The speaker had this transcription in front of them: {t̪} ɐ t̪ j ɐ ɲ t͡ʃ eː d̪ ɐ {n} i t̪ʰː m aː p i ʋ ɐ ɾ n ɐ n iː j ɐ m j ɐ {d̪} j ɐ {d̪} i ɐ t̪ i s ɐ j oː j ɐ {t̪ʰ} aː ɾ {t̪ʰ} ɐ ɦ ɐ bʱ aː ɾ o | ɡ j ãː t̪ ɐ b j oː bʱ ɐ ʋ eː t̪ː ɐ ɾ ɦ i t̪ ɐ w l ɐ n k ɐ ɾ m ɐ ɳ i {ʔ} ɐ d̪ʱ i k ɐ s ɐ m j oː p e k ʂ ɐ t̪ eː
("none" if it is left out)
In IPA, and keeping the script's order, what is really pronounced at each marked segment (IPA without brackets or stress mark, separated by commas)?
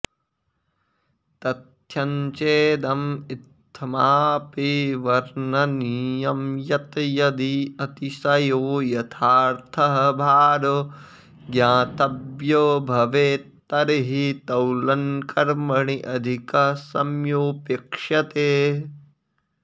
t̪, m, t̪, d̪, t̪ʰ, t̪ʰ, ʔ